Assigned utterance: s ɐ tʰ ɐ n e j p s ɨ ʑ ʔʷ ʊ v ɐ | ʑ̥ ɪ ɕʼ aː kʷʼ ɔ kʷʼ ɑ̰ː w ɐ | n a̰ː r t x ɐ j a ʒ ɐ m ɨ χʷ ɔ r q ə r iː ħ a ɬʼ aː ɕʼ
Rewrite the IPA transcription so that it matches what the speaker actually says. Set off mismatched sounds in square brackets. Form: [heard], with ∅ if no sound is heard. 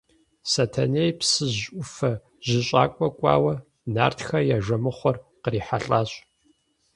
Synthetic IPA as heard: s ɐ tʰ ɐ n e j p s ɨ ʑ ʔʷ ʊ [f] ɐ | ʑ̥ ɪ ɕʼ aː kʷʼ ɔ kʷʼ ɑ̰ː w ɐ | n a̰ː r t x ɐ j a ʒ ɐ m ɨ χʷ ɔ r q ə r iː ħ a ɬʼ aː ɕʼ